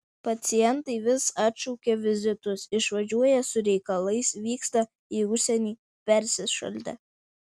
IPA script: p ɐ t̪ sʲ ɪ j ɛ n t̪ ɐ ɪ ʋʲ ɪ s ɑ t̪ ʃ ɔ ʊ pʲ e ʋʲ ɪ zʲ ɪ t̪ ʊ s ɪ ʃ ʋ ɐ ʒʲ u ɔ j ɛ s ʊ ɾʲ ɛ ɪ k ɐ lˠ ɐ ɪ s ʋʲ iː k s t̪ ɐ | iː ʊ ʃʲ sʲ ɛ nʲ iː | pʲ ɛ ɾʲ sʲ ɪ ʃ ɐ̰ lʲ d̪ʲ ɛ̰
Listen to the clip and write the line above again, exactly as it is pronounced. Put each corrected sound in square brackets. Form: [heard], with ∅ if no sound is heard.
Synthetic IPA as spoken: p ɐ t̪ sʲ ɪ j ɛ n t̪ ɐ ɪ ʋʲ ɪ s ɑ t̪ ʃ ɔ ʊ [kʲ] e ʋʲ ɪ zʲ ɪ t̪ ʊ s ɪ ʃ ʋ ɐ ʒʲ u ɔ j ɛ s ʊ ɾʲ ɛ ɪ k ɐ lˠ ɐ ɪ s ʋʲ iː k s t̪ ɐ | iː ʊ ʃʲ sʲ ɛ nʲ iː | pʲ ɛ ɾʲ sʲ ɪ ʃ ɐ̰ lʲ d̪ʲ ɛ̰